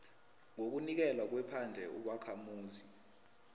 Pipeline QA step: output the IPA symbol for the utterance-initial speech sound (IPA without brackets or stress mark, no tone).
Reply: ŋ